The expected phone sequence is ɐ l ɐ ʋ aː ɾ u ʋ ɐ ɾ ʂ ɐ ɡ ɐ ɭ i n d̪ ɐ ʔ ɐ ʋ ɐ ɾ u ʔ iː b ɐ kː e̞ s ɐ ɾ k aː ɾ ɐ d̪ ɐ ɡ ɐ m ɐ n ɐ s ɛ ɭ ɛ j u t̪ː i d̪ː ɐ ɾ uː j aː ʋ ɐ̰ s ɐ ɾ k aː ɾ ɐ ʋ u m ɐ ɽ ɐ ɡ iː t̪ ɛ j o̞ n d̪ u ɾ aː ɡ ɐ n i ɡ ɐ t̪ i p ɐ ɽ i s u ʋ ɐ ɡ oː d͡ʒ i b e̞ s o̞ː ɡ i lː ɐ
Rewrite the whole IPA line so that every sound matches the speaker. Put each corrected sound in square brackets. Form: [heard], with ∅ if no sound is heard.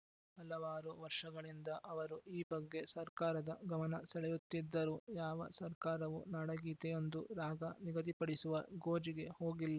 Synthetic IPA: ɐ l ɐ ʋ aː ɾ u ʋ ɐ ɾ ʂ ɐ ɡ ɐ ɭ i n d̪ ɐ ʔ ɐ ʋ ɐ ɾ u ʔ iː b ɐ [ɡː] e̞ s ɐ ɾ k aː ɾ ɐ d̪ ɐ ɡ ɐ m ɐ n ɐ s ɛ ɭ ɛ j u t̪ː i d̪ː ɐ ɾ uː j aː ʋ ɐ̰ s ɐ ɾ k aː ɾ ɐ ʋ u [n] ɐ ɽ ɐ ɡ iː t̪ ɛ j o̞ n d̪ u ɾ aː ɡ ɐ n i ɡ ɐ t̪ i p ɐ ɽ i s u ʋ ɐ ɡ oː d͡ʒ i [ɡ] e̞ [h] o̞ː ɡ i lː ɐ